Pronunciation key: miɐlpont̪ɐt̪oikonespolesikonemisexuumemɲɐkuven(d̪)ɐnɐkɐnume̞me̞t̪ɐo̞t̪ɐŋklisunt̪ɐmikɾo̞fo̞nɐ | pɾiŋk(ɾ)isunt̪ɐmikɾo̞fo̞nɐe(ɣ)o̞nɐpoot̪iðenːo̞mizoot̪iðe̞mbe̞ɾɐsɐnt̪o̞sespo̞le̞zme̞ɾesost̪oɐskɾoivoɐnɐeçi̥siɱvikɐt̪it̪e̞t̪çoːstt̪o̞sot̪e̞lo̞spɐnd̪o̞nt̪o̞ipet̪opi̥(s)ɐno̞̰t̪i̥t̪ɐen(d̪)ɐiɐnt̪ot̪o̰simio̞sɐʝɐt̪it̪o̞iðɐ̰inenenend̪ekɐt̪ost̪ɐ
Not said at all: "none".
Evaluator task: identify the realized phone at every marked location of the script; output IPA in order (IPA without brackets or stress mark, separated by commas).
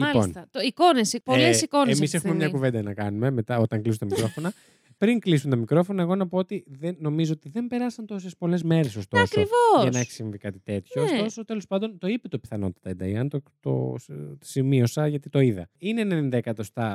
d̪, l, ɣ, θ, d̪